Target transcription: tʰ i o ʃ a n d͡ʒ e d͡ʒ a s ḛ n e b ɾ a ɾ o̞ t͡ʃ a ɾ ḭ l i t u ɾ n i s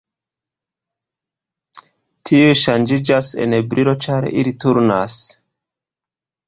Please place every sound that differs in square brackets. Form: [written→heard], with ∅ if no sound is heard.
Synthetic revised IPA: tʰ i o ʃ a n d͡ʒ [e→i] d͡ʒ a s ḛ n e b ɾ [a→i] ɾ o̞ t͡ʃ a ɾ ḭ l i t u ɾ n [i→a] s